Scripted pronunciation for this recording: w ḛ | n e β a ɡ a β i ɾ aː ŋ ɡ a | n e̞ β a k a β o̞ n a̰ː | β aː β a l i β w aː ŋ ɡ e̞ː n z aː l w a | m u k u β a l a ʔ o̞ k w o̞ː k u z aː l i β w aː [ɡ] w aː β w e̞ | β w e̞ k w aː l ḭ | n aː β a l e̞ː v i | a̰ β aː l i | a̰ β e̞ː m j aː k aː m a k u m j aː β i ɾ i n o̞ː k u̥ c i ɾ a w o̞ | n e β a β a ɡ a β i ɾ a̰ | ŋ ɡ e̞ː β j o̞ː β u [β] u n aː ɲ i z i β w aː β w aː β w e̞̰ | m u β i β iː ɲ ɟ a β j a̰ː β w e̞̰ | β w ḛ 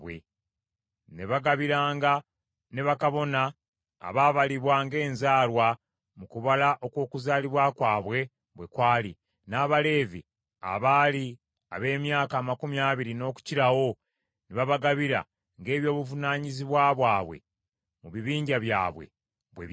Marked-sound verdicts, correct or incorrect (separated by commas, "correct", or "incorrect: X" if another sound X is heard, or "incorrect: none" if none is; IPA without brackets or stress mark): incorrect: k, incorrect: v